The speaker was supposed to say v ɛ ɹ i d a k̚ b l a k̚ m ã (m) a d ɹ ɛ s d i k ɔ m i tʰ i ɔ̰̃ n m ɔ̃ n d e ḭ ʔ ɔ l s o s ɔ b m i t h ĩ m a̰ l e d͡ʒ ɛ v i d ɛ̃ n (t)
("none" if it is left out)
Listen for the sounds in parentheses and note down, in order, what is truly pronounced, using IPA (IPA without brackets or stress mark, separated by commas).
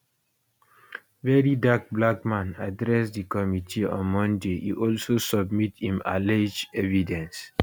n, s